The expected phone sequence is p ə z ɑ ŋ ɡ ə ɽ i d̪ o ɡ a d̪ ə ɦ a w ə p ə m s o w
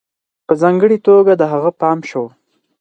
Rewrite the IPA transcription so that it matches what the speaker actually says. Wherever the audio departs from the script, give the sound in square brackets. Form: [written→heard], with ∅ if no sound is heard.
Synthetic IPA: p ə z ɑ ŋ ɡ ə ɽ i [d̪→t̪] o ɡ a d̪ ə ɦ a [w→ɣ] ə p [ə→ɑ] m [s→ʃ] o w